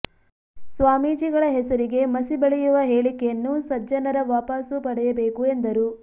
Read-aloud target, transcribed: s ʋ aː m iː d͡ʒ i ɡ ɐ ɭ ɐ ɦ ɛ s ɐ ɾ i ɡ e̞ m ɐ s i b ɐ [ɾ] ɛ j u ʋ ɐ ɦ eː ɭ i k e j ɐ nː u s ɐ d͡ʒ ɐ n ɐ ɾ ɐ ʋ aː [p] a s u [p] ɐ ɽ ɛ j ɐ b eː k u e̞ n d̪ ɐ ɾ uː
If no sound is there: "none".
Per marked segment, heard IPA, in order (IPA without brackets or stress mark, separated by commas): ɭ, p, p